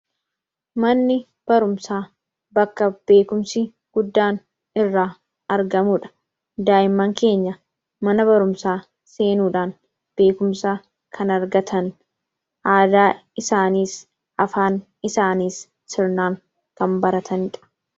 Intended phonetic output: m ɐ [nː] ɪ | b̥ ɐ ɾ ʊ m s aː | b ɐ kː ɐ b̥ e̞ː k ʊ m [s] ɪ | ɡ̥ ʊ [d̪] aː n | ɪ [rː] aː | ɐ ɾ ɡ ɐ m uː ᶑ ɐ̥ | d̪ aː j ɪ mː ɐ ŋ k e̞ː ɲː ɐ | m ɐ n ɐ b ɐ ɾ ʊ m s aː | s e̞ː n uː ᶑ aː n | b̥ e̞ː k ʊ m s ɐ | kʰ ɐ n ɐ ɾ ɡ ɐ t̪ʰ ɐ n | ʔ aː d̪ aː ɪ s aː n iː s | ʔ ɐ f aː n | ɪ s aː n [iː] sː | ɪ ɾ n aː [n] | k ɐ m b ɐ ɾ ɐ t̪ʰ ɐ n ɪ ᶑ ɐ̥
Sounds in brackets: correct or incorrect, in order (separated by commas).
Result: correct, correct, incorrect, correct, correct, incorrect